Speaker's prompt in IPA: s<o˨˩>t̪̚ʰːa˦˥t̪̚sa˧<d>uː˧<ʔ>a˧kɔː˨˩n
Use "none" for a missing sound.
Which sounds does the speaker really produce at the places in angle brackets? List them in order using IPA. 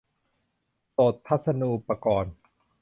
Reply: o˨˩, n, p

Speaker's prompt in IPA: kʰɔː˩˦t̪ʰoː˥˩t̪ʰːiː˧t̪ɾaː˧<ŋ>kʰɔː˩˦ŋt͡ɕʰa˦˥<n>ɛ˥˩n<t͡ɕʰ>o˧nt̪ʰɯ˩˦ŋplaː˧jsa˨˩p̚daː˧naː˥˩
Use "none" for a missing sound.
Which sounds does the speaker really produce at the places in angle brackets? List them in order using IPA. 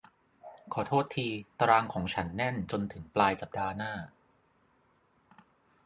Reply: ŋ, nː, t͡ɕ

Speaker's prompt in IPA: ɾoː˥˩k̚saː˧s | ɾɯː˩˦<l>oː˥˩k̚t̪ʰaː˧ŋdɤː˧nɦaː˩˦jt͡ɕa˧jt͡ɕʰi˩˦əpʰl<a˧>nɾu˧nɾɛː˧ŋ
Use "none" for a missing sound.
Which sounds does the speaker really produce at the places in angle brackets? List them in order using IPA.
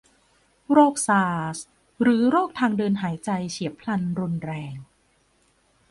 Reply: ɾ, a˧

